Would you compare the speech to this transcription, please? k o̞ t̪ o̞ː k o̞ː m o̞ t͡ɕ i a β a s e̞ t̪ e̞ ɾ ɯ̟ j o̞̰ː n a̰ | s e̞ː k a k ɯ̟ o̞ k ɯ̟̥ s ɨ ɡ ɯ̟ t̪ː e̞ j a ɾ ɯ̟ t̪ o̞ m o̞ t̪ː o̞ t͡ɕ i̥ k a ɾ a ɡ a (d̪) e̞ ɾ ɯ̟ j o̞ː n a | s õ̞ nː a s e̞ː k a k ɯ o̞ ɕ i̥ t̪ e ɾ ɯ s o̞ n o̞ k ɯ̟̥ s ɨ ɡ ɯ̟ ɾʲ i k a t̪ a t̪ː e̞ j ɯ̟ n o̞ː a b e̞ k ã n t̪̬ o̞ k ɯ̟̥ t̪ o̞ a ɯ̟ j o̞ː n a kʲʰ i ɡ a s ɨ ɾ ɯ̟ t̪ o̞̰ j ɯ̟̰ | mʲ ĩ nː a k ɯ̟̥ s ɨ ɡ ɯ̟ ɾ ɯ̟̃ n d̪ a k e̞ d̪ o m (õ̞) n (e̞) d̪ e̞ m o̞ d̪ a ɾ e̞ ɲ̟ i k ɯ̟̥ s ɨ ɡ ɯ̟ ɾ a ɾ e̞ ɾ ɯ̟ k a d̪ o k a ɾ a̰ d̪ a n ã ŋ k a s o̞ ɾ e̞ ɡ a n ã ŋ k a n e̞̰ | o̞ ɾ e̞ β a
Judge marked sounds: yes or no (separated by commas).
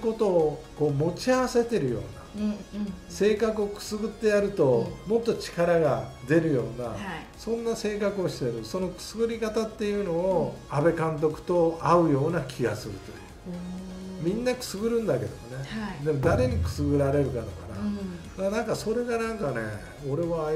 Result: yes, no, yes